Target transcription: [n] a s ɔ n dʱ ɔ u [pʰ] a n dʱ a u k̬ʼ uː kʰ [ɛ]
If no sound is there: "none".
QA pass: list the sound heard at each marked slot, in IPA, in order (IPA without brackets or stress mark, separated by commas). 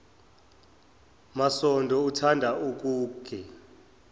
m, tʰ, ɛ